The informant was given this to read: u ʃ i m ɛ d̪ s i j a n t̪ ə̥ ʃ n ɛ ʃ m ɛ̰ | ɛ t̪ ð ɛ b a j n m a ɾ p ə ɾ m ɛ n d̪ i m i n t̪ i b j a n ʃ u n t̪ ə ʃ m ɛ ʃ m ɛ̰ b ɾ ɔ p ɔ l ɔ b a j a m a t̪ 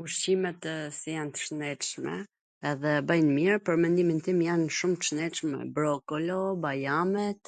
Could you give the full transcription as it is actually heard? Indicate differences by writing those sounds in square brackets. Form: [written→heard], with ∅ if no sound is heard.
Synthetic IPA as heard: u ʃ i m ɛ [d̪→t̪] s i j a n t̪ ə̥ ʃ n ɛ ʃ m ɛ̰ | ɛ [t̪→∅] ð ɛ b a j n m [a→i] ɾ p ə ɾ m ɛ n d̪ i m i n t̪ i [b→m] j a n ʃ u [n→m] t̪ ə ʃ [m→n] ɛ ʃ m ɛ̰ b ɾ ɔ [p→k] ɔ l ɔ b a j a m [a→ɛ] t̪